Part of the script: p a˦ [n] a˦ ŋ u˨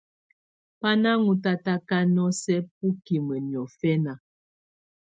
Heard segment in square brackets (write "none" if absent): n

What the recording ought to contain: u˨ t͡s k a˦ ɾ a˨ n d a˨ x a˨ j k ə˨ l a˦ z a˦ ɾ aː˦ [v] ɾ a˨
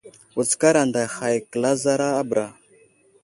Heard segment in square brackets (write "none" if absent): b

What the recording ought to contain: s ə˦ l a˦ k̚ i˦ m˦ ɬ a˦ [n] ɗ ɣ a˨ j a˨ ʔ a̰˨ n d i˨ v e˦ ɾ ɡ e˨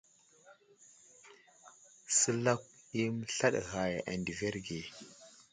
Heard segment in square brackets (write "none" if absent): none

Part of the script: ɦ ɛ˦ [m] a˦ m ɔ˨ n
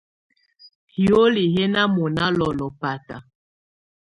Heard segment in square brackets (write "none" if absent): n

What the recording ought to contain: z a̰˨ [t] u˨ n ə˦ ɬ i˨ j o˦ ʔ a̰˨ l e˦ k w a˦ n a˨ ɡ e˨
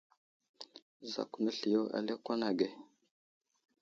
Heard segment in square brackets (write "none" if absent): k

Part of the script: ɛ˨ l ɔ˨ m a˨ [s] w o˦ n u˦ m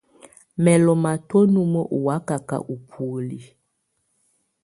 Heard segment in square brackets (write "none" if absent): t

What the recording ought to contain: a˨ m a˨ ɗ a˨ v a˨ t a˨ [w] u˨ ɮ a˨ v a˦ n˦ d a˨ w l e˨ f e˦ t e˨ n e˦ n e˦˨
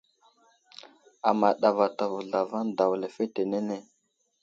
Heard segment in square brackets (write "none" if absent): v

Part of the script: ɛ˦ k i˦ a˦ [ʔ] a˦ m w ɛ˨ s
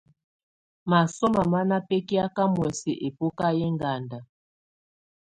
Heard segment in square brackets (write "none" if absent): k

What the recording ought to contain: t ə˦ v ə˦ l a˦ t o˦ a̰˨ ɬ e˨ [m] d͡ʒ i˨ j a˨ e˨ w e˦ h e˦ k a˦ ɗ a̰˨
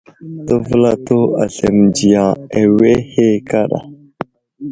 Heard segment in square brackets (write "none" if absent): m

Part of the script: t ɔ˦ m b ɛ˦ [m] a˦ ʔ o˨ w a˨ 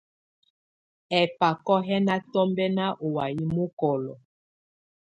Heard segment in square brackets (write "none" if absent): n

